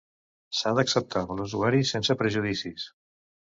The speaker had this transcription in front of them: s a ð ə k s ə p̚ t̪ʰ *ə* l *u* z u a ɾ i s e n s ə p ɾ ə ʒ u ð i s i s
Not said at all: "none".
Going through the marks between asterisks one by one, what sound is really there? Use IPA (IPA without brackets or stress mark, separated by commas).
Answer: a, u